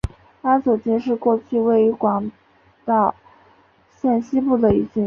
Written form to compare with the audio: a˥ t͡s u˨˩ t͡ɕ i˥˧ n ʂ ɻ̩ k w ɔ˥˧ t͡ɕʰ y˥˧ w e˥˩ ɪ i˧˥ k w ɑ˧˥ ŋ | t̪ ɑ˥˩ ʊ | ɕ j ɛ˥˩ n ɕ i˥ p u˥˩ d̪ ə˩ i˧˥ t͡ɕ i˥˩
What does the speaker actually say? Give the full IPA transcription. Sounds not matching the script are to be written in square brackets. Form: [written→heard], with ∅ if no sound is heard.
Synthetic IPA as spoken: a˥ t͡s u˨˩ t͡ɕ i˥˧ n ʂ ɻ̩ k w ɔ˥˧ t͡ɕʰ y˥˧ w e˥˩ ɪ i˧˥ k w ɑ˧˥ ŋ | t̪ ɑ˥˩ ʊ | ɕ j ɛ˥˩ n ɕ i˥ p u˥˩ d̪ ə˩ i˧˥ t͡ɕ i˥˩